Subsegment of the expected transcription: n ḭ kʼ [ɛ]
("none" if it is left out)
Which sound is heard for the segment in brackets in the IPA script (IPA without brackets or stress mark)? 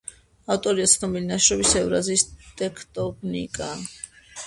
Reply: a